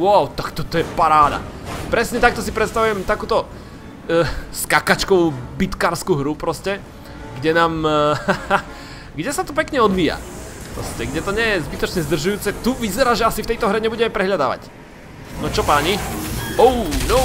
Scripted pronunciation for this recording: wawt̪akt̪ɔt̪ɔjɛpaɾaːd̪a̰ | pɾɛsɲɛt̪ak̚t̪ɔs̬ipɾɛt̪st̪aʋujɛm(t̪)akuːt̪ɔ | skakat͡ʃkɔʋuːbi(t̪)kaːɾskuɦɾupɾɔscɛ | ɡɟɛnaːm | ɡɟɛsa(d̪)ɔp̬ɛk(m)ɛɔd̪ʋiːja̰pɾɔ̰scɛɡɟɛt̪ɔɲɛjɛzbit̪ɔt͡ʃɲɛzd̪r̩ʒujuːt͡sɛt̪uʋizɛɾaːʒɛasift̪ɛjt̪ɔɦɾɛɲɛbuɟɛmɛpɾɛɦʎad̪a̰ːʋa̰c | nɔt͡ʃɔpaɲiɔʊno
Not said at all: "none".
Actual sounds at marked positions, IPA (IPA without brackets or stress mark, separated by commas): t̪, t̪, t̪, ɲ